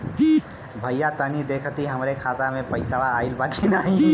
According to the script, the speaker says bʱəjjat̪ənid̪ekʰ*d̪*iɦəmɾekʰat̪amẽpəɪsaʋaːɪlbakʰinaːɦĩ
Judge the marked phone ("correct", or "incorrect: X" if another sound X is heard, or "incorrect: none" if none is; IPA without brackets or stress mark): incorrect: t̪